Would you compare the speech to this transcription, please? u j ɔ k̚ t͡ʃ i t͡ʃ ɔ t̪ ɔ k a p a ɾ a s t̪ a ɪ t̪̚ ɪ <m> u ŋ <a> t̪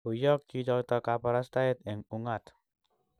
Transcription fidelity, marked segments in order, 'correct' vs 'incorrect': incorrect: ŋ, correct

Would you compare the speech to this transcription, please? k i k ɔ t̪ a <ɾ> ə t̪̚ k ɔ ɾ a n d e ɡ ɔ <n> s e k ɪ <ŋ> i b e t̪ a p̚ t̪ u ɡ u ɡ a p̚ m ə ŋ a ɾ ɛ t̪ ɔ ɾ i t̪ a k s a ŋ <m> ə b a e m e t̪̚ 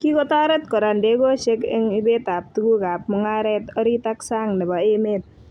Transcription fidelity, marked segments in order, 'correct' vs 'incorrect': correct, incorrect: none, correct, incorrect: n

